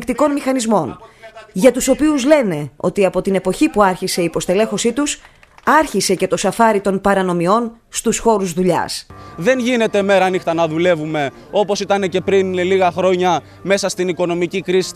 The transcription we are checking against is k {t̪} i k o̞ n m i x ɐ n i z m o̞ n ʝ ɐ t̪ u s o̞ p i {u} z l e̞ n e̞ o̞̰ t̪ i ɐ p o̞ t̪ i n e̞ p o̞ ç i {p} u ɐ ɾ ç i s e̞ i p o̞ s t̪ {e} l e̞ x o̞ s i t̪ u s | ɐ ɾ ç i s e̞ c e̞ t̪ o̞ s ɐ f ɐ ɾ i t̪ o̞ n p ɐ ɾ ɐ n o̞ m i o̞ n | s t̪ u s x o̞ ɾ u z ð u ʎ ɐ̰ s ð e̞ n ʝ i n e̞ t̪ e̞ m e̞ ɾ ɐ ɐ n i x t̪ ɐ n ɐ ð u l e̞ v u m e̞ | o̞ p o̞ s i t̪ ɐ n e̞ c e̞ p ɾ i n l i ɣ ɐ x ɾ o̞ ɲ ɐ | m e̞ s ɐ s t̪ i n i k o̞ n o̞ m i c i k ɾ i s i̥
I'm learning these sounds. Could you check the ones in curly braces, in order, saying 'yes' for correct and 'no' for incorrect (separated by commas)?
yes, yes, yes, yes